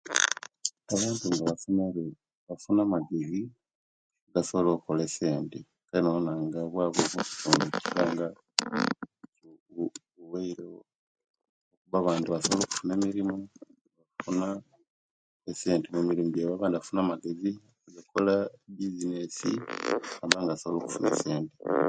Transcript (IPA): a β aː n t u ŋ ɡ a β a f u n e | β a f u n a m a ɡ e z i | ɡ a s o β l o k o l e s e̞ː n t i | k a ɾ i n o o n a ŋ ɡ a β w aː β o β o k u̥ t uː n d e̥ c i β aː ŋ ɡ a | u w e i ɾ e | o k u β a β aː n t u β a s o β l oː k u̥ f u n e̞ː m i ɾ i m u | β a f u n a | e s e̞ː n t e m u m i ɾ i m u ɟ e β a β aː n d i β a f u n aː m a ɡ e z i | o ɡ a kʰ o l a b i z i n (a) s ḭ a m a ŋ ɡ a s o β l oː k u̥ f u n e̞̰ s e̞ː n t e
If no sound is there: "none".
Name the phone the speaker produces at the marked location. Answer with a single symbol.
e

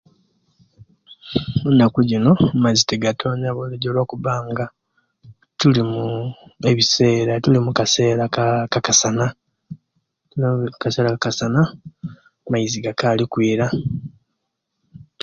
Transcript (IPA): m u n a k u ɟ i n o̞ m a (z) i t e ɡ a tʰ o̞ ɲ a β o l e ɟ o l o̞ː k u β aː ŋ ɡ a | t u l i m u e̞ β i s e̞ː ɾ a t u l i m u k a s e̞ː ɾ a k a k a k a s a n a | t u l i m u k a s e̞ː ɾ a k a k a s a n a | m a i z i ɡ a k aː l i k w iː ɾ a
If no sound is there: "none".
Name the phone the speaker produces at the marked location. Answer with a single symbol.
z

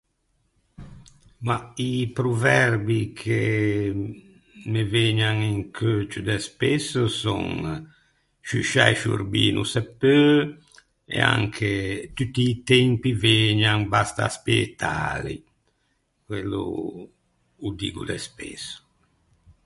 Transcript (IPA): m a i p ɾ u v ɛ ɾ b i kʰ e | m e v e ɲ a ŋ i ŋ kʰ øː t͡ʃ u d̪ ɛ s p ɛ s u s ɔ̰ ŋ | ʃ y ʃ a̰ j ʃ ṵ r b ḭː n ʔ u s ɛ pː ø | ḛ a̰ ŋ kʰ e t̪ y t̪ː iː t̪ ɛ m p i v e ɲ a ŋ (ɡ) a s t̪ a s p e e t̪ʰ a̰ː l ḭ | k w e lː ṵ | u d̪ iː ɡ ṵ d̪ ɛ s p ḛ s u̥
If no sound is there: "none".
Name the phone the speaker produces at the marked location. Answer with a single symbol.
b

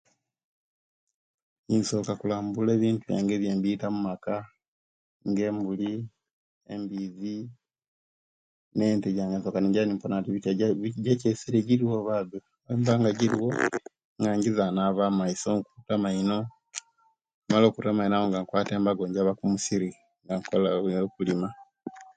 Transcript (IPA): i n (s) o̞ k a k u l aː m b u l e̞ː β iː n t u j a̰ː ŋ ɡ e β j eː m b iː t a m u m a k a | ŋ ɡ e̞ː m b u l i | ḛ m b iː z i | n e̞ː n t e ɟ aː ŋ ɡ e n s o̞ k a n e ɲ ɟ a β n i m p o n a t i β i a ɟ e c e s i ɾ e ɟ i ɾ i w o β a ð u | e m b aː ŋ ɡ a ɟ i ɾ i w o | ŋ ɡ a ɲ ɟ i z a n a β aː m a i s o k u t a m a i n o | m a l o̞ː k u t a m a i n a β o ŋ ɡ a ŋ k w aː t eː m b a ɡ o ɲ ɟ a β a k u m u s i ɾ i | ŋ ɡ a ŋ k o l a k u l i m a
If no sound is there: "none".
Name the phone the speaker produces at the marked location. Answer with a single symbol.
s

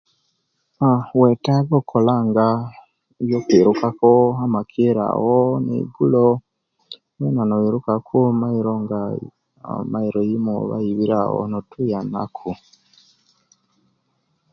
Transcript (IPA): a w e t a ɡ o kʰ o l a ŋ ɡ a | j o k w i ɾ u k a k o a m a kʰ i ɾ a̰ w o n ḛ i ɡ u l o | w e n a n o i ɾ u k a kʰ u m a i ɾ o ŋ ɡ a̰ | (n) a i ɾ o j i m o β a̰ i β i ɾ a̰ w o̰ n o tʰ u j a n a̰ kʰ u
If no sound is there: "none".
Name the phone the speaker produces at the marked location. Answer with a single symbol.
m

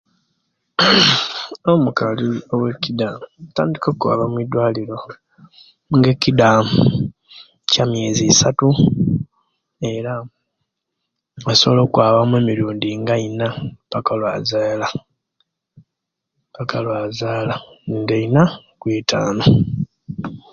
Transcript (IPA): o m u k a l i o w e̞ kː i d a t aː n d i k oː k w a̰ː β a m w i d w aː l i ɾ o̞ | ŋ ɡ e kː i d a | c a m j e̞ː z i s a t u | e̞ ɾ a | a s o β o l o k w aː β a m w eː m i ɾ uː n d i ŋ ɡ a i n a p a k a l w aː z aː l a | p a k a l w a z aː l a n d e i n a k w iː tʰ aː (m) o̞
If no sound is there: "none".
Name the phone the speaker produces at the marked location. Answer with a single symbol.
n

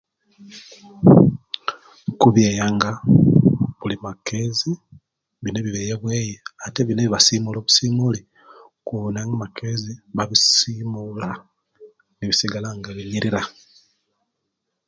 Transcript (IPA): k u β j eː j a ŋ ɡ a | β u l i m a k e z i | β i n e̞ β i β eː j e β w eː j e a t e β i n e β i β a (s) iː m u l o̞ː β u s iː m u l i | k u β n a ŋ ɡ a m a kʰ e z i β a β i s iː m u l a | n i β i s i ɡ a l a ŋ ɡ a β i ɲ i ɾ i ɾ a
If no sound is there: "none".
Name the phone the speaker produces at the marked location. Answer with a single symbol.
s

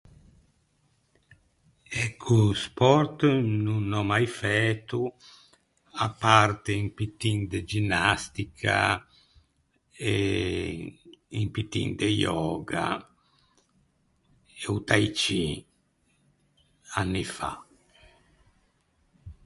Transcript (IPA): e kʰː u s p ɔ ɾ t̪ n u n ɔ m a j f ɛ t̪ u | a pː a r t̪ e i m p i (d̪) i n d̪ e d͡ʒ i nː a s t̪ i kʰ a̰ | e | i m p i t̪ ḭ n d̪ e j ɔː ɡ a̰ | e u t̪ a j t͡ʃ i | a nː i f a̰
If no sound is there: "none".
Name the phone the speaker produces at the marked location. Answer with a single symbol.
t̪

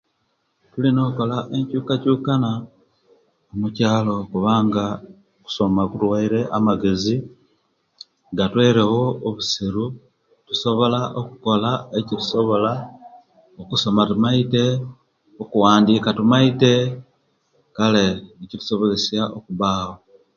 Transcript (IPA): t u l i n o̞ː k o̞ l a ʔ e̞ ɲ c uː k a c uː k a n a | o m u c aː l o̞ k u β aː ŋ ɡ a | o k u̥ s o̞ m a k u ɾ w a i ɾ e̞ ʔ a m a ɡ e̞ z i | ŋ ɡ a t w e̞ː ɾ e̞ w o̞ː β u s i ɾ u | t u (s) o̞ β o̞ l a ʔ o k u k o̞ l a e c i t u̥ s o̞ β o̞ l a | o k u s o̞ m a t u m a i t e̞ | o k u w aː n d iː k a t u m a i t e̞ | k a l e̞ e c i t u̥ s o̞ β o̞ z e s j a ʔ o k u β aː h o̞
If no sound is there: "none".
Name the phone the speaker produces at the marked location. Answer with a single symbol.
s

